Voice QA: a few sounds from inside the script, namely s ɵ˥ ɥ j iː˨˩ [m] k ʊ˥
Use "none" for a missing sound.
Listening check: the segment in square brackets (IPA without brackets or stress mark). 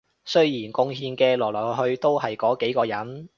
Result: n